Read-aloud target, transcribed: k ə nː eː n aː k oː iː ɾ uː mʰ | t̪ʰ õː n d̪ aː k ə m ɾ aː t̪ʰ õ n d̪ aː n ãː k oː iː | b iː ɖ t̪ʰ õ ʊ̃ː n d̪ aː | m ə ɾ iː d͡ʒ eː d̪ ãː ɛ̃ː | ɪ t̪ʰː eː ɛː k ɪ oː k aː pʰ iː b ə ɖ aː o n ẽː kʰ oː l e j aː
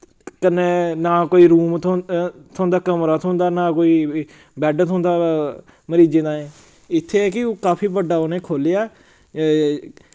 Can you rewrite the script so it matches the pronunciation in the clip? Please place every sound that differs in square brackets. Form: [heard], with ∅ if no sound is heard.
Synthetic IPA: k ə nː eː n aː k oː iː ɾ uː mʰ | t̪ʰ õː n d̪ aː k ə m ɾ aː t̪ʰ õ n d̪ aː n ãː k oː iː | b [ɛː] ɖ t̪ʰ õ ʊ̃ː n d̪ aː | m ə ɾ iː d͡ʒ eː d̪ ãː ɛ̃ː | ɪ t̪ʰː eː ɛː k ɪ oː k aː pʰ iː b ə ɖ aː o n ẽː kʰ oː l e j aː